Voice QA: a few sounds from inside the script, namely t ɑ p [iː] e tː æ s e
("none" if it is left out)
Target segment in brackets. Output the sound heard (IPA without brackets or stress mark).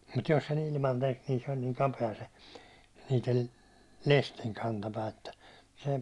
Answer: æː